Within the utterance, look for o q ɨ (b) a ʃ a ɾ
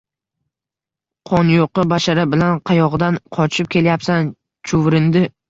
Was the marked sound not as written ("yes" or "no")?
no